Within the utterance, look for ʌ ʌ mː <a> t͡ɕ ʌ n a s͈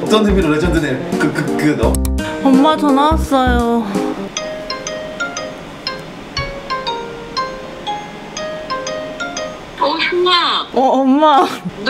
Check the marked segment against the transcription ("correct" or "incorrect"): correct